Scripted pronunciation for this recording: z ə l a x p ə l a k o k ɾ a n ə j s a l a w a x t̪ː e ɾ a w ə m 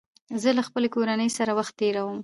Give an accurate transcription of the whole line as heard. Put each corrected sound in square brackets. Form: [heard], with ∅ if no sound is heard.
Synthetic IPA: z ə l a x p ə l [e] k o [∅] ɾ a n ə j s a [ɾ] a w a x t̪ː e ɾ a w ə m

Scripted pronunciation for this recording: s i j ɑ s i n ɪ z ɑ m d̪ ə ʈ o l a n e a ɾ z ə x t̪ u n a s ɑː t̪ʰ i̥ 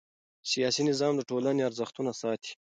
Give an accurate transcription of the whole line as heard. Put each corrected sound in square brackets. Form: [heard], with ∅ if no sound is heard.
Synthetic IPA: s i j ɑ s i n ɪ z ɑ m d̪ ə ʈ o l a n e a ɾ z ə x t̪ u n a s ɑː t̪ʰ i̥

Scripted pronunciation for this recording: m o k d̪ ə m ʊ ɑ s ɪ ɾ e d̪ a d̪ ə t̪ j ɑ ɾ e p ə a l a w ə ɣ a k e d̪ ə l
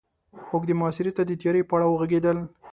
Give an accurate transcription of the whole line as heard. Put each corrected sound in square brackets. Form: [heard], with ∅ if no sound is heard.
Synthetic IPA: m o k d̪ ə m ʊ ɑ s ɪ ɾ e [t̪] a d̪ ə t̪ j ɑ ɾ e p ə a [ɽ] a w ə ɣ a [ɡ] e d̪ ə l

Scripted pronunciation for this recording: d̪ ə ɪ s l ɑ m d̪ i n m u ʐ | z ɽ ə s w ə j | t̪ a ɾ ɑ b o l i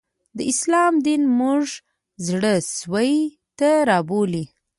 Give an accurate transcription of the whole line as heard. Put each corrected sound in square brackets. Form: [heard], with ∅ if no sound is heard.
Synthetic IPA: d̪ ə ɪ s l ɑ m d̪ i n m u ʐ | z ɽ ə s w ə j | t̪ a ɾ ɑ b o l i

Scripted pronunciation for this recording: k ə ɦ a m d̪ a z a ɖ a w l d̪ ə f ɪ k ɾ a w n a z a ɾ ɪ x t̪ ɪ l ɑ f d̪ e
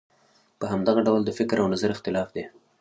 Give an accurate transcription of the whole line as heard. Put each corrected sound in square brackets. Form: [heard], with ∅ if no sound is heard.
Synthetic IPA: [p] ə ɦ a m d̪ a [ɣ] a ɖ a w l d̪ ə f ɪ k ɾ a w n a z a ɾ ɪ x t̪ ɪ l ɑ f d̪ e

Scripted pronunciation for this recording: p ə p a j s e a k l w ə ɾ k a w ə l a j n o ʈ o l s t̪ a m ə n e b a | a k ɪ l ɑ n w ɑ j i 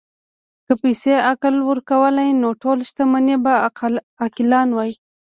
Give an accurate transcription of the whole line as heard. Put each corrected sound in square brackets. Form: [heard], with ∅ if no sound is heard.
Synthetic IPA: [k] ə p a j s e a k l w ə ɾ k a w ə l a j n o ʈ o l [ʃ] t̪ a m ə n e b a | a k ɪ l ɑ n w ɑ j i

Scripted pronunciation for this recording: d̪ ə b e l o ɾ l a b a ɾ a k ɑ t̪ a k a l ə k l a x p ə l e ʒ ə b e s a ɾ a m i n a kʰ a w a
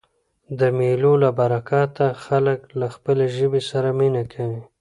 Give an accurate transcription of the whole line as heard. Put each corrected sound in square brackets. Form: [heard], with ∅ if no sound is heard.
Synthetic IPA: d̪ ə [m] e l o [∅] l a b a ɾ a k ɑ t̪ a [x] a l ə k l a x p ə l e ʒ ə b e s a ɾ a m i n a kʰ a w [i]

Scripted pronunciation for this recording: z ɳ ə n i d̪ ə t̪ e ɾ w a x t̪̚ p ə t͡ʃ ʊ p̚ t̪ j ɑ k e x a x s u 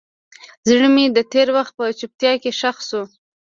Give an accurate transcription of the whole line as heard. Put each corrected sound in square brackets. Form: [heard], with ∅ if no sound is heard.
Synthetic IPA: z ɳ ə [m] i d̪ ə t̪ e ɾ w a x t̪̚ p ə t͡ʃ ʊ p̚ t̪ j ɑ k e [ʃ] a x s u

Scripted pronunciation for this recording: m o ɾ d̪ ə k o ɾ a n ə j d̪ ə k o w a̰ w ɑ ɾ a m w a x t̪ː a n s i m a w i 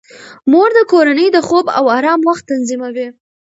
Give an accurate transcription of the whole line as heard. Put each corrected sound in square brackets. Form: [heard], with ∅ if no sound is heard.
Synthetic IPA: m o ɾ d̪ ə k o ɾ a n ə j d̪ ə [x] o [b] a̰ w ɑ ɾ [ɑ] m w a x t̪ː a n [z] i m a w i

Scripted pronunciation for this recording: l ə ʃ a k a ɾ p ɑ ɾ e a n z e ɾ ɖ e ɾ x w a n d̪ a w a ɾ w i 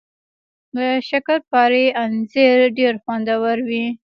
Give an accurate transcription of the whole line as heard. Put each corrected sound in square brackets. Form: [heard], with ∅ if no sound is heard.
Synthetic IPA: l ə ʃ a k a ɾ p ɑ ɾ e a n z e ɾ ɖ e ɾ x w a n d̪ a w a ɾ w i

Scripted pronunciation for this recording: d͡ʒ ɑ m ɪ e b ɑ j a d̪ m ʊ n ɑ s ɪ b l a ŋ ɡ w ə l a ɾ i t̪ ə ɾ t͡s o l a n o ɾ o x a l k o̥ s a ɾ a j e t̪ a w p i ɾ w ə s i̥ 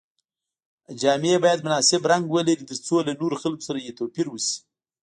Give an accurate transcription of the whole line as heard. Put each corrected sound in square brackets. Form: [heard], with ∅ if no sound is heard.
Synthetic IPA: d͡ʒ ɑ m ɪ e b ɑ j a d̪ m ʊ n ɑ s ɪ b [ɾ] a ŋ ɡ w ə l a ɾ i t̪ ə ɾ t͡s o l a n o ɾ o x a l k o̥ s a ɾ a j e t̪ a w p i ɾ w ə s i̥

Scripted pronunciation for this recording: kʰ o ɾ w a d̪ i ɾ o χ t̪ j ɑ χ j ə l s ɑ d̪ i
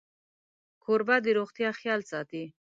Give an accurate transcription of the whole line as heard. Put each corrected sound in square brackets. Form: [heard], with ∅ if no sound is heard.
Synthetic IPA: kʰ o ɾ [b] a d̪ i ɾ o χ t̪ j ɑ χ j [ɑ] l s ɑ [t̪] i

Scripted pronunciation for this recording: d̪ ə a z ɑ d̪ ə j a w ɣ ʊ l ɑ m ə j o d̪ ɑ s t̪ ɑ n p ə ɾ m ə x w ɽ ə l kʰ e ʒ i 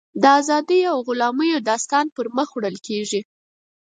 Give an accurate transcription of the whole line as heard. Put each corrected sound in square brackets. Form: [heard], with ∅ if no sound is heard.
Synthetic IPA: d̪ ə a z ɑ d̪ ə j a w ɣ ʊ l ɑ m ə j o d̪ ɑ s t̪ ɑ n p ə ɾ m ə x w ɽ ə l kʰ e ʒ i

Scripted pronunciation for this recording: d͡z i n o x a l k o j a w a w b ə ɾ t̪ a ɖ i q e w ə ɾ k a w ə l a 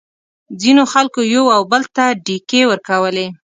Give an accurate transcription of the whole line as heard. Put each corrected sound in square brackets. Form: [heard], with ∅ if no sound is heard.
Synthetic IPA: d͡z i n o x a l k o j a w a w b ə [l] t̪ a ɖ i [k] e w ə ɾ k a w ə l [e]

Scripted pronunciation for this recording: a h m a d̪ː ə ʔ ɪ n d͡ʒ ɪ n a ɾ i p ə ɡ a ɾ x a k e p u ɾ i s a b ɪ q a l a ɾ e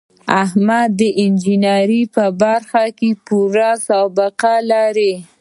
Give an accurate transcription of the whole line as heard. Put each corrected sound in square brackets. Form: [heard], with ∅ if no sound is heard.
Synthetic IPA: a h m a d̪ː ə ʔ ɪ n d͡ʒ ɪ n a ɾ i p ə [b] a ɾ x a k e p u ɾ [a] s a b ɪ q a l a ɾ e

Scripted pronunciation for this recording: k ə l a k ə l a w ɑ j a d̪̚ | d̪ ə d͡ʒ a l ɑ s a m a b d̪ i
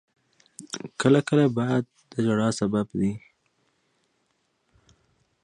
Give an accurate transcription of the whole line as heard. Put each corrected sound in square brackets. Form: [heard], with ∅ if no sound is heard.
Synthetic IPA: k ə l a k ə l a [b] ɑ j a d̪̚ | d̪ ə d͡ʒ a [ɽ] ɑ s a [b] a b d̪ i

